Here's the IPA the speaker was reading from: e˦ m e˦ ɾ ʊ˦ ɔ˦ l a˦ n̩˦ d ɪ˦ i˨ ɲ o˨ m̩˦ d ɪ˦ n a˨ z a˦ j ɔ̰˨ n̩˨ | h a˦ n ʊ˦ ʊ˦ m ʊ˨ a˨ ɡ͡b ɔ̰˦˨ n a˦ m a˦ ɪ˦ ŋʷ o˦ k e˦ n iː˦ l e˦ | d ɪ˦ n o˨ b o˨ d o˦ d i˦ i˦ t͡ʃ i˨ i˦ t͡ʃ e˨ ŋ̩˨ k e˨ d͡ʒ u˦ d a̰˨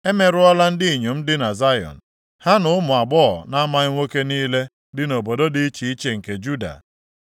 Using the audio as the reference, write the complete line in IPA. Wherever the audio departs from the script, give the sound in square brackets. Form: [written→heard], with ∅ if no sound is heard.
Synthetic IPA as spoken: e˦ m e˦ ɾ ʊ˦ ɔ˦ l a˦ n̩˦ d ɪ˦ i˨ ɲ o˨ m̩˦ d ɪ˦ n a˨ z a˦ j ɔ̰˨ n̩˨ | h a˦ n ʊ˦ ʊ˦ m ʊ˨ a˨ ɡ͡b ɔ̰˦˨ n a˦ m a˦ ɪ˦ ŋʷ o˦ k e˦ n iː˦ l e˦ | d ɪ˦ n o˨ b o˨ d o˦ d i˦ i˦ t͡ʃ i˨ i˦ t͡ʃ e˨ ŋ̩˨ k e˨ d͡ʒ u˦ d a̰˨